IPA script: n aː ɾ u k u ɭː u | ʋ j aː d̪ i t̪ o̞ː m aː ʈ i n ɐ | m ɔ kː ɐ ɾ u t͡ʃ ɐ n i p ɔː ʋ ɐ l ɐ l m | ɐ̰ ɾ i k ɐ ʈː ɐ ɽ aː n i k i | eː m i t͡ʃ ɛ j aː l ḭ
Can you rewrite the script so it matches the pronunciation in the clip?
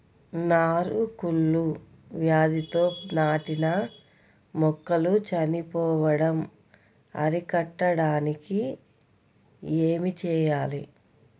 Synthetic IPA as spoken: n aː ɾ u k u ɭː u | ʋ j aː d̪ i t̪ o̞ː n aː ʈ i n ɐ | m ɔ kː ɐ l u t͡ʃ ɐ n i p ɔː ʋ ɐ ɽ ɐ m | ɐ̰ ɾ i k ɐ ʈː ɐ ɽ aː n i k i | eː m i t͡ʃ ɛː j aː l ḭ